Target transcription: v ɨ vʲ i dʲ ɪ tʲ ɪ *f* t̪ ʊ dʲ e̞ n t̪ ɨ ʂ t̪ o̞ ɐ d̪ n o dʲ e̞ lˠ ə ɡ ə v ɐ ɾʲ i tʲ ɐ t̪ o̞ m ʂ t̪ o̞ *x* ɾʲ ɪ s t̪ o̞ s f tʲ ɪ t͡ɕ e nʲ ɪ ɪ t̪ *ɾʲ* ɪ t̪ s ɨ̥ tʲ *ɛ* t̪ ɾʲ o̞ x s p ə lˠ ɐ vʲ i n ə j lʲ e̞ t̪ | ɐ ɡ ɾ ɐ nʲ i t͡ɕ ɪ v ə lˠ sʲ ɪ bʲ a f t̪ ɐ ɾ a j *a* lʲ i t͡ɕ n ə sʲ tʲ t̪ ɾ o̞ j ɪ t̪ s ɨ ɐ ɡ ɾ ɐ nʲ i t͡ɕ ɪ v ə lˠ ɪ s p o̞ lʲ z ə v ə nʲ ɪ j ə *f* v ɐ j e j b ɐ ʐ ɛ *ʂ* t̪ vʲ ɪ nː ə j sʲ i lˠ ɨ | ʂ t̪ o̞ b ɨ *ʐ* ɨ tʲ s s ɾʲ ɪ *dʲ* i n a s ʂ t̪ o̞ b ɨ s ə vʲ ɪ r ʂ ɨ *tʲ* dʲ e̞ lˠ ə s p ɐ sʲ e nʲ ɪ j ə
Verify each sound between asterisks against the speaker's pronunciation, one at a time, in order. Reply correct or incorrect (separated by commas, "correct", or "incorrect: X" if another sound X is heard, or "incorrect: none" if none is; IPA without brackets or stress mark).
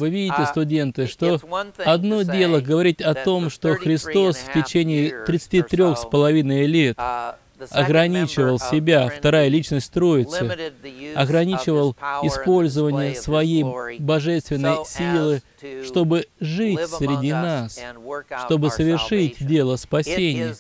incorrect: s, correct, correct, incorrect: i, incorrect: ə, incorrect: s, incorrect: s, correct, correct, correct